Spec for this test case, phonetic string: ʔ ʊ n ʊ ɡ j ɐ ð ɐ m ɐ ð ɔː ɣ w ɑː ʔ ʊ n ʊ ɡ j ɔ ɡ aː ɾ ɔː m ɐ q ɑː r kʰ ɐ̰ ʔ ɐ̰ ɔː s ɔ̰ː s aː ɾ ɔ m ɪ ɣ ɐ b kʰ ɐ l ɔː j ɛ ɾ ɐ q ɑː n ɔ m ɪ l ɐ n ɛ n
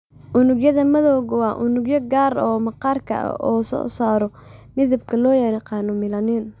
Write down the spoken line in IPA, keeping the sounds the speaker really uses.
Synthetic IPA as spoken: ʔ ʊ n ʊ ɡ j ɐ ð ɐ m ɐ ð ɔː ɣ w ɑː ʔ ʊ n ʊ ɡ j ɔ ɡ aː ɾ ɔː m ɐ q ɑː r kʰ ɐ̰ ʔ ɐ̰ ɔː s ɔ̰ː s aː ɾ ɔ m ɪ ð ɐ b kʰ ɐ l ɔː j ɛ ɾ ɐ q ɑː n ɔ m ɪ l ɐ n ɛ n